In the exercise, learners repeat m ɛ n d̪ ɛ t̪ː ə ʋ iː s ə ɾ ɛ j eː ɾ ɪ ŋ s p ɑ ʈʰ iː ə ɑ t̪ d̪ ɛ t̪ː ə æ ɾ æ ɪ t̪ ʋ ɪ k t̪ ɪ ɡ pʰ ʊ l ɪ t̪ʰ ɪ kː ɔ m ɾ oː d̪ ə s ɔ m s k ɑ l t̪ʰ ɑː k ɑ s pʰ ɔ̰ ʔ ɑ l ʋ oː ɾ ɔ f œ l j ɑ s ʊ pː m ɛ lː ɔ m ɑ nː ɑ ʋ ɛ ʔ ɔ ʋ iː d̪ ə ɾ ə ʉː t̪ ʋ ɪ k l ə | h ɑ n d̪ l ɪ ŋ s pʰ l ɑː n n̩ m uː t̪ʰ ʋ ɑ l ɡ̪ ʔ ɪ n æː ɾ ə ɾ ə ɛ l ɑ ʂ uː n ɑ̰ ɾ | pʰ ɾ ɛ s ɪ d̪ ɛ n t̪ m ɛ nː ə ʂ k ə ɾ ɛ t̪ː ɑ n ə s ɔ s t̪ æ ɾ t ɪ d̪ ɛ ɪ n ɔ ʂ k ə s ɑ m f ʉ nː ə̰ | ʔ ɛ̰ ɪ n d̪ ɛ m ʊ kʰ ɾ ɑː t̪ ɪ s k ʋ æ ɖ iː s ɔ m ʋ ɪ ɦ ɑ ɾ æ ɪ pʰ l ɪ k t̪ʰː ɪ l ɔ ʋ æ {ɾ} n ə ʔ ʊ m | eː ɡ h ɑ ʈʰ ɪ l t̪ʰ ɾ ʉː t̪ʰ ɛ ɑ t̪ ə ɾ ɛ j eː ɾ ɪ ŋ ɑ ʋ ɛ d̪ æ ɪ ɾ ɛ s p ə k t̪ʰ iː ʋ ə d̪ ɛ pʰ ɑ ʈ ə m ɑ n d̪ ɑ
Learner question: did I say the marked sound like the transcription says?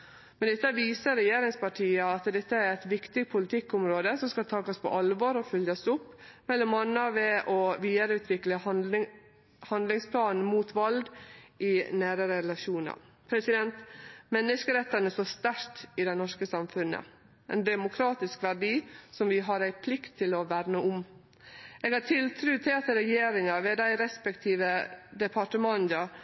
yes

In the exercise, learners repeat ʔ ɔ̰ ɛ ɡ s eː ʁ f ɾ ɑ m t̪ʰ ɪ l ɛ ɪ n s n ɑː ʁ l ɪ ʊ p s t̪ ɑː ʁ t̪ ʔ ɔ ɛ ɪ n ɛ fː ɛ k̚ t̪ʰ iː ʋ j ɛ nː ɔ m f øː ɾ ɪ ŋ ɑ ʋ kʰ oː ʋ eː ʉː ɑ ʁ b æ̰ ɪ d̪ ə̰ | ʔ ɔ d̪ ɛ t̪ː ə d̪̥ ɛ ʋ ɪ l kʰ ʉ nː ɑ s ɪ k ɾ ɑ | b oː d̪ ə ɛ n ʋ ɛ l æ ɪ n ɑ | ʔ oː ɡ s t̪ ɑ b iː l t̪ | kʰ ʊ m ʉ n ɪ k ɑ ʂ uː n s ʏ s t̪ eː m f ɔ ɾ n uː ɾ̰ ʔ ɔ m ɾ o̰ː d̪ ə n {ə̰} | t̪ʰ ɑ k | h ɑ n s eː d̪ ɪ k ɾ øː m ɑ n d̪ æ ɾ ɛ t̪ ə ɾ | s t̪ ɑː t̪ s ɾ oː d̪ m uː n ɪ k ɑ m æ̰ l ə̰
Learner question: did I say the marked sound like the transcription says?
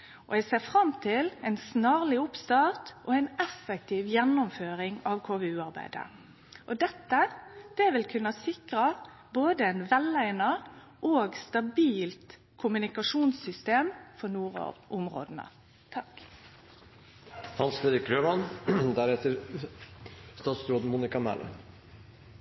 yes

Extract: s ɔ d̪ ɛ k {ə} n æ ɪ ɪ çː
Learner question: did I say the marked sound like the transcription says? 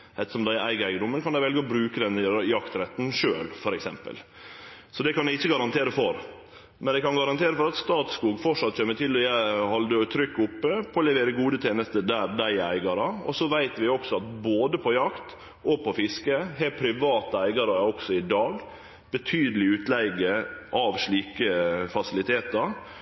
no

